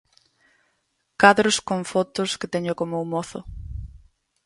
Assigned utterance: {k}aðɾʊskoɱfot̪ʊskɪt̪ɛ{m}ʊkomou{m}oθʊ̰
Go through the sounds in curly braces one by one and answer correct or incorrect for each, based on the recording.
correct, incorrect: ɲ, correct

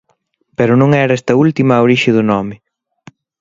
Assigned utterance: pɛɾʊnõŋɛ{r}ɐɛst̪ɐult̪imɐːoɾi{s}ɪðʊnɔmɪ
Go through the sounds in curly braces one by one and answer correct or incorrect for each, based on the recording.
incorrect: ɾ, incorrect: ʃ

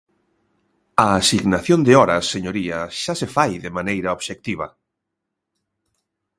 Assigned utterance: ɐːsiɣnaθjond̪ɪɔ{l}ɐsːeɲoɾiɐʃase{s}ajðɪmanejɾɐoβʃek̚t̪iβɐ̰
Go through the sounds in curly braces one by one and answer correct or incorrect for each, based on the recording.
incorrect: ɾ, incorrect: f

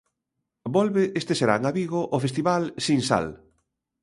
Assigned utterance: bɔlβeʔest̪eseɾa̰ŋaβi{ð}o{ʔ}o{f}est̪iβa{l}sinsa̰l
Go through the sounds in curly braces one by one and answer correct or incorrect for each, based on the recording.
incorrect: ɣ, correct, correct, correct

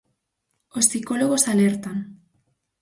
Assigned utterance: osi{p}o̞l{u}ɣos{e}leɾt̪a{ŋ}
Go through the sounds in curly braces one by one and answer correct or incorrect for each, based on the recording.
incorrect: k, incorrect: o, incorrect: a, incorrect: n

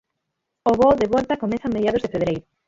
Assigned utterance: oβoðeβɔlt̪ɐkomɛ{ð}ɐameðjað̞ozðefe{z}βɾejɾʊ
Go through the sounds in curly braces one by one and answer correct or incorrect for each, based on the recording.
incorrect: θ, incorrect: none

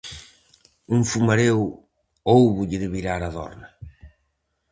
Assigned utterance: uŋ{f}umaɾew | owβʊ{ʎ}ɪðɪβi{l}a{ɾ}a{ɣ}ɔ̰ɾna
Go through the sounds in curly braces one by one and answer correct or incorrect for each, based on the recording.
correct, correct, incorrect: ɾ, correct, incorrect: ð

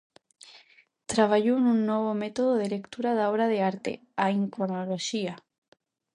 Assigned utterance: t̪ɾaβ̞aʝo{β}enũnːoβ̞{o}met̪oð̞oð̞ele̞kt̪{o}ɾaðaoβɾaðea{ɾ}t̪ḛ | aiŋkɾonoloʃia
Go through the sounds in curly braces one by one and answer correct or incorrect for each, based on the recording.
incorrect: none, correct, incorrect: u, correct

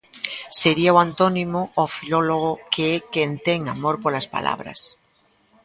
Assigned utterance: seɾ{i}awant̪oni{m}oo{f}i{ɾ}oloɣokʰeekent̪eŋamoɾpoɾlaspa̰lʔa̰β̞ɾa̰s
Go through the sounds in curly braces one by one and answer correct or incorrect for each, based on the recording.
correct, correct, correct, incorrect: l

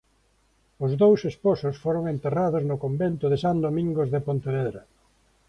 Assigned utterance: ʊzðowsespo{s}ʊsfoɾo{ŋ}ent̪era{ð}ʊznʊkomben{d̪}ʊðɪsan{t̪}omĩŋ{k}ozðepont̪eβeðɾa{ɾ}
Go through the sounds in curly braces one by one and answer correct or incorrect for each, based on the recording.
correct, correct, correct, incorrect: t̪, incorrect: d̪, incorrect: ɡ, incorrect: none

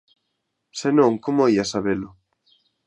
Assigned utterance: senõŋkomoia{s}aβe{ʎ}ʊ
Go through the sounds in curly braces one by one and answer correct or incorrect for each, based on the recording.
correct, incorrect: l

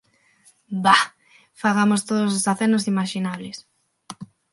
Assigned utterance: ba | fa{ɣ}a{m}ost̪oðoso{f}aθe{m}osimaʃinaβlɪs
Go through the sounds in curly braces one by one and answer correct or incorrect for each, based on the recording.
correct, correct, incorrect: s, incorrect: n

